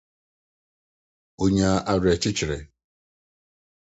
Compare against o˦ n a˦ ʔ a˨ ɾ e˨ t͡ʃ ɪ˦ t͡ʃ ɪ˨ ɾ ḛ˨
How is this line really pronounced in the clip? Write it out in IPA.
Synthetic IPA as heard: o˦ ɲ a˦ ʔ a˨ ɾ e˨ t͡ʃ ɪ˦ t͡ʃ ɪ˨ ɾ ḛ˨